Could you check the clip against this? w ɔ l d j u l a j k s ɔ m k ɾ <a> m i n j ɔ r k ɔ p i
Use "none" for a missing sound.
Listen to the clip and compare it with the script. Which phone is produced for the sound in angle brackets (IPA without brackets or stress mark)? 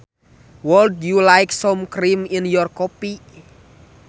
i